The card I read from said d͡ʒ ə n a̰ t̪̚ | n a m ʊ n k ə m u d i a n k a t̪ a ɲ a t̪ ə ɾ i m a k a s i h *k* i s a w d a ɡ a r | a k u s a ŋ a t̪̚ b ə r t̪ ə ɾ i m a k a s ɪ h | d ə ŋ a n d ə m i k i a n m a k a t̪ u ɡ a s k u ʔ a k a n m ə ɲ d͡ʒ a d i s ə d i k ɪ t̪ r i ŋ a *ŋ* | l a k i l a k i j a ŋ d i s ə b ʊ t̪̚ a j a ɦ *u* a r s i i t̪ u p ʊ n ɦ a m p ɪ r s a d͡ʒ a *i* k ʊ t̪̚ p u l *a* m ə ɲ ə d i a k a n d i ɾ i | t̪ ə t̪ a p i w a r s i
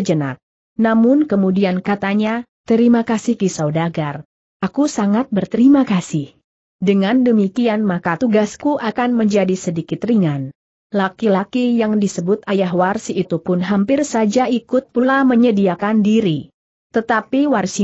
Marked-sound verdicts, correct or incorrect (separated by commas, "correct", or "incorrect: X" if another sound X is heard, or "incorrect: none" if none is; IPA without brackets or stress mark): correct, incorrect: n, incorrect: w, correct, correct